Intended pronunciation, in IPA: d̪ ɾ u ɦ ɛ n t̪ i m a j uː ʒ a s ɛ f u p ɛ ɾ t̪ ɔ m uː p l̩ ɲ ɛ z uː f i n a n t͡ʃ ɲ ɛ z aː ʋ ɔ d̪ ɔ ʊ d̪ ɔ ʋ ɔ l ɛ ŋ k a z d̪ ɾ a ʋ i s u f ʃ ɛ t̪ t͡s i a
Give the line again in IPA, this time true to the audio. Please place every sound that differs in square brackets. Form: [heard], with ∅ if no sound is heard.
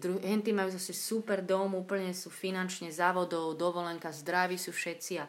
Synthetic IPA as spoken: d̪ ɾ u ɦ ɛ n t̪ i m a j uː [z] a s ɛ [s] u p ɛ ɾ [d̪] ɔ m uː p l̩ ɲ ɛ [s] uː f i n a n t͡ʃ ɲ ɛ z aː ʋ ɔ d̪ ɔ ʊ d̪ ɔ ʋ ɔ l ɛ ŋ k a z d̪ ɾ a ʋ i s u f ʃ ɛ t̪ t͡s i a